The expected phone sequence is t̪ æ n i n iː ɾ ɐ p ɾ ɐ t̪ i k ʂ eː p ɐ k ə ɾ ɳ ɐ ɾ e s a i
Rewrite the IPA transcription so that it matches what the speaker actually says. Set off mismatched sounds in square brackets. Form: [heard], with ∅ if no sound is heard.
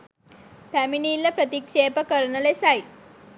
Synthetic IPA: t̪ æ [m] i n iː [l] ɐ p ɾ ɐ t̪ i k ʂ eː p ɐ k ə ɾ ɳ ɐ [l] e s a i